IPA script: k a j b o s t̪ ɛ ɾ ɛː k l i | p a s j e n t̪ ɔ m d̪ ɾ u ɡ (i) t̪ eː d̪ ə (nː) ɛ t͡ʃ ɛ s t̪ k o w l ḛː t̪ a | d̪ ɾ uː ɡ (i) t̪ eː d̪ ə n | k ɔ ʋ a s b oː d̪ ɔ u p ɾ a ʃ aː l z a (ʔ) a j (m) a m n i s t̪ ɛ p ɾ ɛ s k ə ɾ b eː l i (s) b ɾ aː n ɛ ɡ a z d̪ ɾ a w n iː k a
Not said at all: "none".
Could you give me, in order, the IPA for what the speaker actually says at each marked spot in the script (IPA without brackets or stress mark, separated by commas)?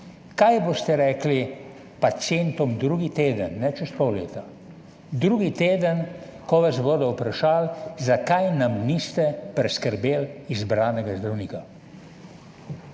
i, nː, i, k, n, z